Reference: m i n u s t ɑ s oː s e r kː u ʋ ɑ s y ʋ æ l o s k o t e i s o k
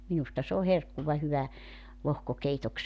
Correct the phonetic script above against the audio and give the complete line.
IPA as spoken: m i n u s t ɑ s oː h e r kː u ʋ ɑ h y ʋ æ l o h k o k e i t o k